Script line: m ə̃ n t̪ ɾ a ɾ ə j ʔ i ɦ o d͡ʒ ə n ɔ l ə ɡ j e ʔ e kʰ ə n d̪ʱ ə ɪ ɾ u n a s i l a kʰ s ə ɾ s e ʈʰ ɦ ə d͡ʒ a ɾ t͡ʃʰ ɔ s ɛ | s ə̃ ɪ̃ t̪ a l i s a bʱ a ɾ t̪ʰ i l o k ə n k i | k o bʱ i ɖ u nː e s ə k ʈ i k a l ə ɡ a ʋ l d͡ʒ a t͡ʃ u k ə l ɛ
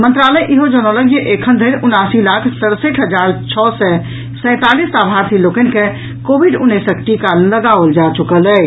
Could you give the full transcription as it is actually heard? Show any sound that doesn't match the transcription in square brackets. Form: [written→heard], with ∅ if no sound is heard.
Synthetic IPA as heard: m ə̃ n t̪ ɾ a [ɾ→l] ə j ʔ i ɦ o d͡ʒ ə n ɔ l ə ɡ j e ʔ e kʰ ə n d̪ʱ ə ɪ ɾ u n a s i l a kʰ s ə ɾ s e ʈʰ ɦ ə d͡ʒ a ɾ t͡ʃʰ ɔ s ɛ | s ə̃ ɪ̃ t̪ a l i s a bʱ a ɾ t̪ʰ i l o k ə n k [i→e] | k o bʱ i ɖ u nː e s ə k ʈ i k a l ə ɡ a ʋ l d͡ʒ a t͡ʃ u k ə l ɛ